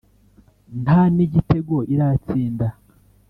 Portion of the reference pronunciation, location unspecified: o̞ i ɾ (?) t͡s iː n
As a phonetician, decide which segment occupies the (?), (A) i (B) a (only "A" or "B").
B